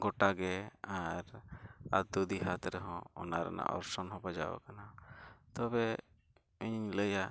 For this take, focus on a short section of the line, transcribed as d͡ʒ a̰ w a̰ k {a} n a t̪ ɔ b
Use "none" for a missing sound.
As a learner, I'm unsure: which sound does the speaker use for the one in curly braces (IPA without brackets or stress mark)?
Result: a